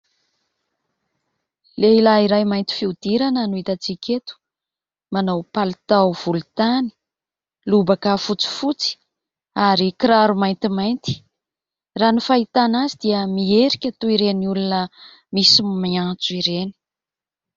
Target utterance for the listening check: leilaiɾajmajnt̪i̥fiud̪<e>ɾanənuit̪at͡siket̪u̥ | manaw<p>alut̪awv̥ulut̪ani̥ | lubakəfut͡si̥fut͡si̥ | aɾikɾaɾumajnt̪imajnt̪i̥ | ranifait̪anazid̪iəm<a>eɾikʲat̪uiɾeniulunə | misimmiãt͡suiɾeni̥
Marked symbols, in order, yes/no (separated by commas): no, yes, no